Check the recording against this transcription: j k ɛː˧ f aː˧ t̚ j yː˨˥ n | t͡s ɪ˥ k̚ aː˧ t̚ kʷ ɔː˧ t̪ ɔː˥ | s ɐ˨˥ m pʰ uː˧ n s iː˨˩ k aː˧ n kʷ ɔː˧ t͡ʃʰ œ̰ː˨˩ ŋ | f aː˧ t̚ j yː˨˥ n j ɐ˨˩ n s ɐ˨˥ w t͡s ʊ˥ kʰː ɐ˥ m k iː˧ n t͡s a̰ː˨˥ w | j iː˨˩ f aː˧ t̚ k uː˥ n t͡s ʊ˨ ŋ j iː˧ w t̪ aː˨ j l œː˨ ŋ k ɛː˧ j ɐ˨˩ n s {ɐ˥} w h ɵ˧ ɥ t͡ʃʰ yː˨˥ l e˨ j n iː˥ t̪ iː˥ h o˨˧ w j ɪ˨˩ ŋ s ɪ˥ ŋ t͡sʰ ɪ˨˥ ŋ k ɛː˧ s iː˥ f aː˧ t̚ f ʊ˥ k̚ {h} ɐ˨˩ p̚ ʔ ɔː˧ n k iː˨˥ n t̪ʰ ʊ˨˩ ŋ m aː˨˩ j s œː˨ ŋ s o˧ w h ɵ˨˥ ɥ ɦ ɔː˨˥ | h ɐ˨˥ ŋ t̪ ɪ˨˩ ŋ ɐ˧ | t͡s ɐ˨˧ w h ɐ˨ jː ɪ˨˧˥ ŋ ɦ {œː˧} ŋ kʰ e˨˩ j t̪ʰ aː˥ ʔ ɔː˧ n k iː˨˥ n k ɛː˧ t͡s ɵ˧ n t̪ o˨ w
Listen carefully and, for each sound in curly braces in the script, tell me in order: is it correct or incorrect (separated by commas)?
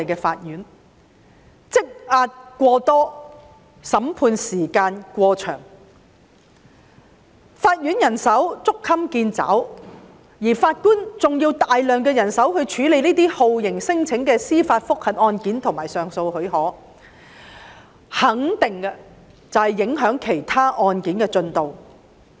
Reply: incorrect, correct, incorrect